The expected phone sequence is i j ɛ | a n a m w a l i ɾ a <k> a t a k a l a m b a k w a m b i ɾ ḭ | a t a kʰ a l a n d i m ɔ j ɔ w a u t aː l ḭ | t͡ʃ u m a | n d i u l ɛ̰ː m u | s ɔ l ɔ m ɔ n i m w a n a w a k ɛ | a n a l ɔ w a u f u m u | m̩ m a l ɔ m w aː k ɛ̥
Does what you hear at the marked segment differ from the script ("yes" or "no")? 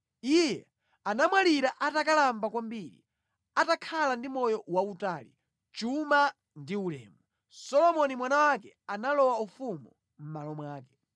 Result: yes